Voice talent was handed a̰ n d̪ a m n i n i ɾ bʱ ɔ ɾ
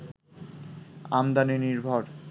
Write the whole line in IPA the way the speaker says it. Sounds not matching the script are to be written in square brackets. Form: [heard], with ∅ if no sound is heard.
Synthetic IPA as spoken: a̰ [m] d̪ a [∅] n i n i ɾ bʱ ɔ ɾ